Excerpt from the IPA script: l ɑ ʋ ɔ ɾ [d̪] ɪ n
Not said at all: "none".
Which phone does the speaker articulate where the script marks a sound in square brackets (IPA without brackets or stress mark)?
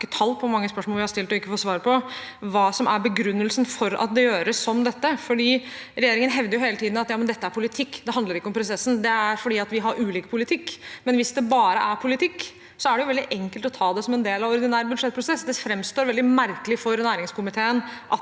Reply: d̪